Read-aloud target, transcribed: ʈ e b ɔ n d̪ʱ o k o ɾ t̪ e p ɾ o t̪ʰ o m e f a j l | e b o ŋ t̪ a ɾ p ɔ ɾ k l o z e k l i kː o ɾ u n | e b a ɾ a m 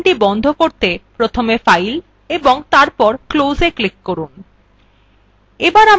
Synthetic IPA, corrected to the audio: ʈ i b ɔ n d̪ʱ o k o ɾ t̪ e p ɾ o t̪ʰ o m e f a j l | e b o ŋ t̪ a ɾ p ɔ ɾ k l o z e k l i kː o ɾ u n | e b a ɾ a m